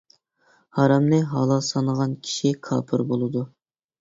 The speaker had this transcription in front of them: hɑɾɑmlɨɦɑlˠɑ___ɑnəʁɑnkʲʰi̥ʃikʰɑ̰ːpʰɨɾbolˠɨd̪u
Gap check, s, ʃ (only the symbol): s